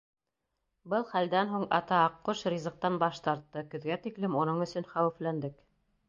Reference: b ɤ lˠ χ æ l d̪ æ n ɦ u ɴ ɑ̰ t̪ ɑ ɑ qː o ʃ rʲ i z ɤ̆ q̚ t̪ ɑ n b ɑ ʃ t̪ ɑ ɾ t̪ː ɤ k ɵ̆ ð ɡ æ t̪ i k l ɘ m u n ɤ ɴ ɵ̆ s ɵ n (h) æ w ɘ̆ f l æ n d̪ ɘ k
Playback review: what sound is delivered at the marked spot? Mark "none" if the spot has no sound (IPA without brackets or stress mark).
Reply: χ